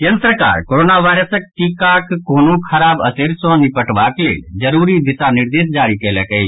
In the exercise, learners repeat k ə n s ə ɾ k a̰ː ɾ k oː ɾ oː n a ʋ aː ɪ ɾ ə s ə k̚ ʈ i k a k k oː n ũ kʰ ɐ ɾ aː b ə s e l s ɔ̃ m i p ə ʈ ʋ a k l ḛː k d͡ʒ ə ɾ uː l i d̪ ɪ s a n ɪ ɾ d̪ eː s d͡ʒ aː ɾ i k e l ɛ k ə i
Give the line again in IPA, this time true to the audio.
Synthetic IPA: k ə n s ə ɾ k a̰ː ɾ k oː ɾ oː n a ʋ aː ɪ ɾ ə s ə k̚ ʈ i k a k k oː n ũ kʰ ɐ ɾ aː b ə s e ɾ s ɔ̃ n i p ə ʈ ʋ a k l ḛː d͡ʒ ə ɾ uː ɾ i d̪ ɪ s a n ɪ ɾ d̪ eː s d͡ʒ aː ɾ i k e l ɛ k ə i